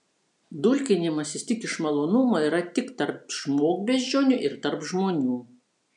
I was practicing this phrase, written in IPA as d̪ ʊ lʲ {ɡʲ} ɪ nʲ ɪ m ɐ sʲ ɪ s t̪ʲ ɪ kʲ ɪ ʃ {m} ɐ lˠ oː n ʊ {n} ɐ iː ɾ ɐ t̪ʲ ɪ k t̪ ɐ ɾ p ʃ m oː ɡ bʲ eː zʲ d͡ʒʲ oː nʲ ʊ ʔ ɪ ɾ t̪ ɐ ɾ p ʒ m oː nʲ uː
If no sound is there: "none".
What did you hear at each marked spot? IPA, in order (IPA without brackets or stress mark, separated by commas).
kʲ, m, m